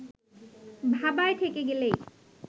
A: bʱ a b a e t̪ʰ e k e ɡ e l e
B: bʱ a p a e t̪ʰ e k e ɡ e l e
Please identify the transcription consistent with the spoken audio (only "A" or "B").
A